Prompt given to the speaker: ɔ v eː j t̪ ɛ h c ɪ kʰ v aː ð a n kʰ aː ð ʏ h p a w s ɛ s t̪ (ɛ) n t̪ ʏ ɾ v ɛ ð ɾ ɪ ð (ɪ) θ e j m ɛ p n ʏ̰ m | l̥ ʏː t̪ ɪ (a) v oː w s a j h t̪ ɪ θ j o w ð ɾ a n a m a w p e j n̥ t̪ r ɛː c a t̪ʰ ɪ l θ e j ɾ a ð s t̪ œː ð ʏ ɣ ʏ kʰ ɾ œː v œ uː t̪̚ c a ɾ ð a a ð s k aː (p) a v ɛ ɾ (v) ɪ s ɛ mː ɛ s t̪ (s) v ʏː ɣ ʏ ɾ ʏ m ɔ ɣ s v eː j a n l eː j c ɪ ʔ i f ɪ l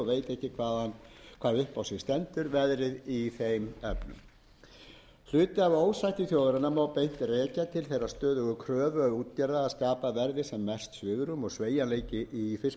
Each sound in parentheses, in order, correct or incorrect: correct, incorrect: i, correct, correct, incorrect: ð, correct

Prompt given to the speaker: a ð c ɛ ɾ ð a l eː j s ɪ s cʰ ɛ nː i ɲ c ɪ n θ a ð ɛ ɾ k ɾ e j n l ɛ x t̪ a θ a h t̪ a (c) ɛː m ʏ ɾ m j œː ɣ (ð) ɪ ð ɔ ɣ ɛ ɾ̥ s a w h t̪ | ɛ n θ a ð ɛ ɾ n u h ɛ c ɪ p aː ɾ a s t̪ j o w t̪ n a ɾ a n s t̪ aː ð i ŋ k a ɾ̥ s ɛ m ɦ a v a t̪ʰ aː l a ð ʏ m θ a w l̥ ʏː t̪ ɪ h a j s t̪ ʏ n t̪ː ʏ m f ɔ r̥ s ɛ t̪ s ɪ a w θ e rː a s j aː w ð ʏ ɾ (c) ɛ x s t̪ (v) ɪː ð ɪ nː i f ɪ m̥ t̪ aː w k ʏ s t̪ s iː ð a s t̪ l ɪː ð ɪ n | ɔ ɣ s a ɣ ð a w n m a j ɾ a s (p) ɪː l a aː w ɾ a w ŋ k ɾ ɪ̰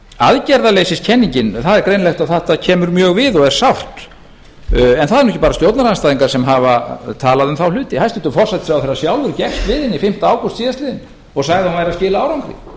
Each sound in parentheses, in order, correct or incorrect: incorrect: cʰ, incorrect: v, correct, correct, incorrect: c

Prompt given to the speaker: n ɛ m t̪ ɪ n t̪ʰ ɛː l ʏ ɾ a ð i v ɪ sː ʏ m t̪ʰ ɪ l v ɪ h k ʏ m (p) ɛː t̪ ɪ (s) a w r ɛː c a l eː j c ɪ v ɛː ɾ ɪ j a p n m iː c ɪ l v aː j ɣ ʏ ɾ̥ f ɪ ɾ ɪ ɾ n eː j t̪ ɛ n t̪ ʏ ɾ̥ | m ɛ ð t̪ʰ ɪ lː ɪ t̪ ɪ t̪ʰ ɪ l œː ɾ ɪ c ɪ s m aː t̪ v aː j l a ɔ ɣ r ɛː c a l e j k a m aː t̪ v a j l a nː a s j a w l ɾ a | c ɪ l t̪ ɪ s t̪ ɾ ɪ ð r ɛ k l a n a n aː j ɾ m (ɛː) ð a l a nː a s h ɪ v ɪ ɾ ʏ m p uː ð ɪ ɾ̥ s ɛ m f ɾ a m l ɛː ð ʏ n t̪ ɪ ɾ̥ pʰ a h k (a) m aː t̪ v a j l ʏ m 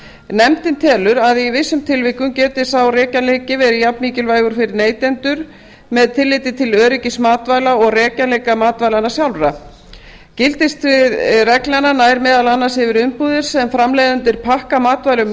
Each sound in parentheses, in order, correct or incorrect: incorrect: c, correct, correct, correct

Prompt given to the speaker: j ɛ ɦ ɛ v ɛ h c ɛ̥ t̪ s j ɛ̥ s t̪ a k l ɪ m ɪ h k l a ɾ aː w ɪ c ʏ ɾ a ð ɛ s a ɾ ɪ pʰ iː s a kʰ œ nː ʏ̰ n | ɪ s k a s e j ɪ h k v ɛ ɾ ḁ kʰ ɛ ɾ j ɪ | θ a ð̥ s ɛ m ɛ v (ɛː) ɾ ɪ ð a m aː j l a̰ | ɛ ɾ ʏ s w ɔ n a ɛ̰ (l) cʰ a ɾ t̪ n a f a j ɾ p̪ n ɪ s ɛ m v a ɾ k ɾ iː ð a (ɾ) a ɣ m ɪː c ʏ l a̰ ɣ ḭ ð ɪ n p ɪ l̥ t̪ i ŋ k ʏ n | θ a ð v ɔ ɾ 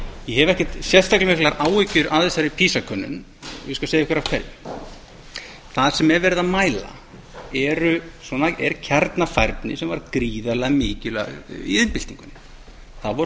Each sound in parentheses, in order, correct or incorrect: incorrect: ɛ, incorrect: ɾ, incorrect: l

